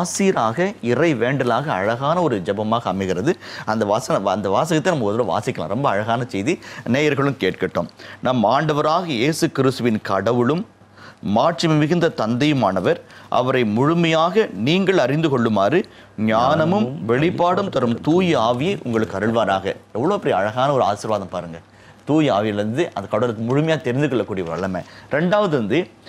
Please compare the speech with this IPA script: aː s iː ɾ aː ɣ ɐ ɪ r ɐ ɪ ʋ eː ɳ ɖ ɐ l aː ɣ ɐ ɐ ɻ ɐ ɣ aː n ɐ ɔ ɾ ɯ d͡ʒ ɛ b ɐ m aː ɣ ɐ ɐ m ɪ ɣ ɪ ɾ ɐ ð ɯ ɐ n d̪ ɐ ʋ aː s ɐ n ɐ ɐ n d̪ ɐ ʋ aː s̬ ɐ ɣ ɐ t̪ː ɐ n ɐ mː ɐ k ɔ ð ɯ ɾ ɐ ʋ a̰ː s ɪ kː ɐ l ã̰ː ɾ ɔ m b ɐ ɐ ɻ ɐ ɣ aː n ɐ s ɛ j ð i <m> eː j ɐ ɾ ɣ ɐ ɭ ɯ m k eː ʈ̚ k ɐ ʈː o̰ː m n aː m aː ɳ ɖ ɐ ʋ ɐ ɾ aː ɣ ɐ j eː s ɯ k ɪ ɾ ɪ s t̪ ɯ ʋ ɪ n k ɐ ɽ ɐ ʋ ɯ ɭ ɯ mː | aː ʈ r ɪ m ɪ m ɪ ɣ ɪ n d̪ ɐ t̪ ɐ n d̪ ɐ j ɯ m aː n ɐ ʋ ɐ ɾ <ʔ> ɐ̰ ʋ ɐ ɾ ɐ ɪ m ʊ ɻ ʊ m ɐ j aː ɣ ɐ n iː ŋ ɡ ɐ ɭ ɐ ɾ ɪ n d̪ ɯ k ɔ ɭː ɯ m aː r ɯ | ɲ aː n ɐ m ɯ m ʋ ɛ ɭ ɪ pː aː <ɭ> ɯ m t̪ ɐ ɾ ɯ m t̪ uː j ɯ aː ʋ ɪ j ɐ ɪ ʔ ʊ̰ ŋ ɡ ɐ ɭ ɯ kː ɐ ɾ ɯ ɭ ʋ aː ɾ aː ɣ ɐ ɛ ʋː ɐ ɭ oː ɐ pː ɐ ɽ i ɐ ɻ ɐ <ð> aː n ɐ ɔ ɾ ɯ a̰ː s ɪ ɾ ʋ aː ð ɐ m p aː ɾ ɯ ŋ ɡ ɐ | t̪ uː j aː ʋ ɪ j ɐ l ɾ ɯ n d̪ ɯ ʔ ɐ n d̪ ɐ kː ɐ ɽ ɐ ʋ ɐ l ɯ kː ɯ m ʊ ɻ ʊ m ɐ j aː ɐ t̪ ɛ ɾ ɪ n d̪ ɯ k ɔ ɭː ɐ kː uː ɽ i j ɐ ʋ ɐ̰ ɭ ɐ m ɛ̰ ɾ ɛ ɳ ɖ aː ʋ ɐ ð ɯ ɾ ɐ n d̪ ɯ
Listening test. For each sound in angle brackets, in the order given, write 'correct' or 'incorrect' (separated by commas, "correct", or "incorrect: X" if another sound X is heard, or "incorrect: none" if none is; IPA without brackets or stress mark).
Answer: incorrect: n, correct, incorrect: ɽ, incorrect: ɣ